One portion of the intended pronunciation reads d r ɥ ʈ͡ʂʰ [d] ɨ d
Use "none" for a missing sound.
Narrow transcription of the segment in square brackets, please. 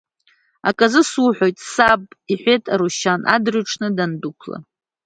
n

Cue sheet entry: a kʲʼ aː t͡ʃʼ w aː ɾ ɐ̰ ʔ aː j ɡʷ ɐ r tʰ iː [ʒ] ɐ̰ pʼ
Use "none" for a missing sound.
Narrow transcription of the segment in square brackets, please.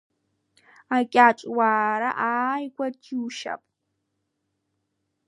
ʃ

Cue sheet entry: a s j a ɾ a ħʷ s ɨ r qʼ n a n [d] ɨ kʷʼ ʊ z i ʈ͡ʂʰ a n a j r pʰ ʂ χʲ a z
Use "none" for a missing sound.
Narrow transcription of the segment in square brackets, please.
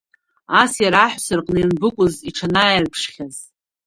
b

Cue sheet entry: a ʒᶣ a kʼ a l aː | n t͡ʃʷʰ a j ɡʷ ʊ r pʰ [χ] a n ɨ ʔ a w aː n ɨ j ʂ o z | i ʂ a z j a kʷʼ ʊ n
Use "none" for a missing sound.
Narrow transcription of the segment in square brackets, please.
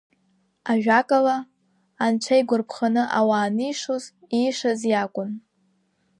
χ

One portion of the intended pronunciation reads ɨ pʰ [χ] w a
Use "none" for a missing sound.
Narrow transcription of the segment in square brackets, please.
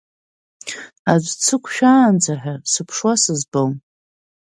ʂ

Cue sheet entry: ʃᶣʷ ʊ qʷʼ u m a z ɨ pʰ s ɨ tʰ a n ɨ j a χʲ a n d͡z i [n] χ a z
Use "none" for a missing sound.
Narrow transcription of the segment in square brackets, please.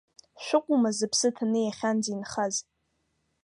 n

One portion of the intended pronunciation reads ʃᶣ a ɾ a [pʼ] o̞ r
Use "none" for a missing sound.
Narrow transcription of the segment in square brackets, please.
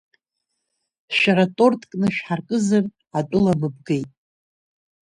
tʼ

